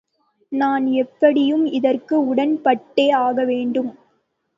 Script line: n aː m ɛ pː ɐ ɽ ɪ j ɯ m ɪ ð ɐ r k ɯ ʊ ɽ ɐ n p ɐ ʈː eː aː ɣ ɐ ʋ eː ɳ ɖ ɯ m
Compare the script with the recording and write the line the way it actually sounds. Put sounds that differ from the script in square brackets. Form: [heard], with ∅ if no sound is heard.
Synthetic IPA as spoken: n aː [n] ɛ pː ɐ ɽ ɪ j ɯ m ɪ ð ɐ r k ɯ ʊ ɽ ɐ n p ɐ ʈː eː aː ɣ ɐ ʋ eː ɳ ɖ ɯ m